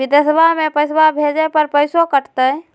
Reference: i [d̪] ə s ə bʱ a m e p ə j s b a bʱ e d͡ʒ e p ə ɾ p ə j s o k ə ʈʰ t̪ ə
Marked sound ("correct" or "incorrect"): correct